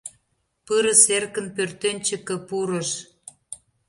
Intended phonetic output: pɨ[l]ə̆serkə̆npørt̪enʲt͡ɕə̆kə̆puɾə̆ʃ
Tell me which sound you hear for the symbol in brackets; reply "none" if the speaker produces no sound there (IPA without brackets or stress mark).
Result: ɾ